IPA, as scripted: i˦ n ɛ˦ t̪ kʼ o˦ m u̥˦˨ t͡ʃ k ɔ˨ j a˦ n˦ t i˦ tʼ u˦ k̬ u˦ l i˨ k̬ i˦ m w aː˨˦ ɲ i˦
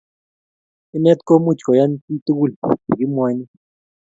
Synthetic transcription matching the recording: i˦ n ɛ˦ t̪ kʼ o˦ m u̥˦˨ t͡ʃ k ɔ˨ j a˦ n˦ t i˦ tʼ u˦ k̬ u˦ l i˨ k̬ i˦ m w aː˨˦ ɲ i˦